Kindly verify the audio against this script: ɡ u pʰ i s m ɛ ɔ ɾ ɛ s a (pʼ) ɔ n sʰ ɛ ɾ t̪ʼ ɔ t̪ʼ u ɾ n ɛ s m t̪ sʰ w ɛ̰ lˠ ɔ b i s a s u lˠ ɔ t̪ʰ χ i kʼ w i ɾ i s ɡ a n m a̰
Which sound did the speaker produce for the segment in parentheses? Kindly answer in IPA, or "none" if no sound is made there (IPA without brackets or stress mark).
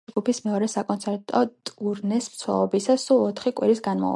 kʼ